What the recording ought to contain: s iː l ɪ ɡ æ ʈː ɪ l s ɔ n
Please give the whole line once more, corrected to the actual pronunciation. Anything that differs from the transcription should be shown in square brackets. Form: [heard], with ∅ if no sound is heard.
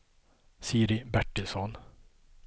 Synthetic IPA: s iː [ɾ] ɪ [b] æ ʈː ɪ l s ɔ n

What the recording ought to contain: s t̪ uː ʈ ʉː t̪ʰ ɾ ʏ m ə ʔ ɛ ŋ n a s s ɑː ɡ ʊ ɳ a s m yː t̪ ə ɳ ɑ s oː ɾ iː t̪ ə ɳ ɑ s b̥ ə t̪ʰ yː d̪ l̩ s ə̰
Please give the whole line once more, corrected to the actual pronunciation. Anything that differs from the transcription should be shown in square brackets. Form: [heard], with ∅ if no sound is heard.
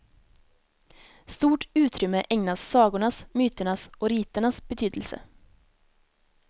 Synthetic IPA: s t̪ uː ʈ ʉː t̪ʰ ɾ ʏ m ə ʔ ɛ ŋ n [ɑ] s s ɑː ɡ ʊ ɳ [ɑ] s m yː t̪ ə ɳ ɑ s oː ɾ iː t̪ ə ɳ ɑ s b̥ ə t̪ʰ yː d̪ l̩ s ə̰

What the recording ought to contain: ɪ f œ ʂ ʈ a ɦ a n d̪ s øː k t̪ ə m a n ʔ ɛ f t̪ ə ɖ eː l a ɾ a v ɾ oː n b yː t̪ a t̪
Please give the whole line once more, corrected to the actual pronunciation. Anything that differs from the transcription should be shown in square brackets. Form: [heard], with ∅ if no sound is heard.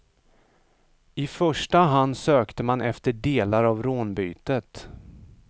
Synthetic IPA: ɪ f œ ʂ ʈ a ɦ a n d̪ s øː k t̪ ə m a n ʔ ɛ f t̪ ə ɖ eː l a ɾ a v ɾ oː n b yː t̪ [ə] t̪

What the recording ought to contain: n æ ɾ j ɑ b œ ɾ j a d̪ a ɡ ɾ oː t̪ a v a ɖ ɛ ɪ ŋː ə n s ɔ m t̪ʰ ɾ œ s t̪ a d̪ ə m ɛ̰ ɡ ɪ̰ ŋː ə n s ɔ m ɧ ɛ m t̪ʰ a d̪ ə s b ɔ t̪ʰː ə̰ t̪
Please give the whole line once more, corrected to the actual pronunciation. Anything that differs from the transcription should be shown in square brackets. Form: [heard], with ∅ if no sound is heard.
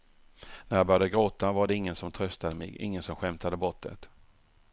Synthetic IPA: n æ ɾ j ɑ b œ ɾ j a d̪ [ə] ɡ ɾ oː t̪ a v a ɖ ɛ ɪ ŋː ə n s ɔ m t̪ʰ ɾ œ s t̪ a d̪ ə m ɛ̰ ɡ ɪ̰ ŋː ə n s ɔ m ɧ ɛ m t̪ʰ a d̪ ə [∅] b ɔ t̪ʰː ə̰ t̪

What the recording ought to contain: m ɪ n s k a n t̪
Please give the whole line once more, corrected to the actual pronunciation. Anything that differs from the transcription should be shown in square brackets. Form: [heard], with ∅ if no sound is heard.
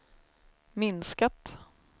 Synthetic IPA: m ɪ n s k a [∅] t̪

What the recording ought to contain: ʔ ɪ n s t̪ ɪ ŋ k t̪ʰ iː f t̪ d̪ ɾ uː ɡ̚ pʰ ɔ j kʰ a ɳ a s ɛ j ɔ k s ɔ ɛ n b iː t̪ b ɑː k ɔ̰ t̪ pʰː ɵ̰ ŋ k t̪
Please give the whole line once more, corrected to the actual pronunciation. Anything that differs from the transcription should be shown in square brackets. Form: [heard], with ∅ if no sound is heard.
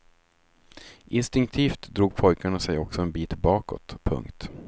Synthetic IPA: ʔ ɪ n s t̪ ɪ ŋ k t̪ʰ iː f t̪ d̪ ɾ uː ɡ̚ pʰ ɔ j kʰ a ɳ a s ɛ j ɔ k s ɔ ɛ n b iː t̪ b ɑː k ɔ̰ t̪ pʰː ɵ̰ ŋ k t̪

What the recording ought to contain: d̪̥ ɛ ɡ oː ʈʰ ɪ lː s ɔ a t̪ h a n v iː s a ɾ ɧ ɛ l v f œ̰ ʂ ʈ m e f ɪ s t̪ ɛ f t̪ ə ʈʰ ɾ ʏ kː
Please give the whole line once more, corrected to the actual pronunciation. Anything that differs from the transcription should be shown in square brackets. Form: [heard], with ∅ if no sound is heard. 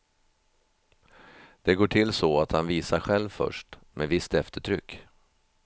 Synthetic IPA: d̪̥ ɛ ɡ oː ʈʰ ɪ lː s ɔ a t̪ h a n v iː s a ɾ ɧ ɛ l v f œ̰ ʂ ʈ m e [v] ɪ s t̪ ɛ f t̪ ə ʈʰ ɾ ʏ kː

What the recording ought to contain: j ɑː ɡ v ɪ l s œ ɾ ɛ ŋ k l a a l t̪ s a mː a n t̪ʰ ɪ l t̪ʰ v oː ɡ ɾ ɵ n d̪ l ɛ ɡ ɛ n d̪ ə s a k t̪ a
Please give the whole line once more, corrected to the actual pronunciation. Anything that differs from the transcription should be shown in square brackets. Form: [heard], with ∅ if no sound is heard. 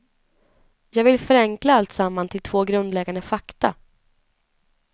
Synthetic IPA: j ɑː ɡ v ɪ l [f] œ ɾ ɛ ŋ k l a a l t̪ s a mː a n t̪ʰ ɪ l t̪ʰ v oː ɡ ɾ ɵ n d̪ l ɛ ɡ [a] n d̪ ə [f] a k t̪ a

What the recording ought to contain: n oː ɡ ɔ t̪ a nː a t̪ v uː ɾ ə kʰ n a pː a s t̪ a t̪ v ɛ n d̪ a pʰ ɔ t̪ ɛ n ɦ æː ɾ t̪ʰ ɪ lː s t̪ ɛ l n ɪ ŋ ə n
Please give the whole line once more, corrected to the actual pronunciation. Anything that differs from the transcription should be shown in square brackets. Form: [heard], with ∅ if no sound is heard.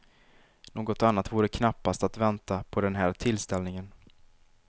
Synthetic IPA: n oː ɡ ɔ t̪ a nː a t̪ v uː ɾ ə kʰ n a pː a s t̪ a t̪ v ɛ n [t̪] a pʰ ɔ [d̪] ɛ n ɦ æː ɾ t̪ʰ ɪ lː s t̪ ɛ l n ɪ ŋ ə n

